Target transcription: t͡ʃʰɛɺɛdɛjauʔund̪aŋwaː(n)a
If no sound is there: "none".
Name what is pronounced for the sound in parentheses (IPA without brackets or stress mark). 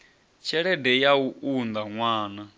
n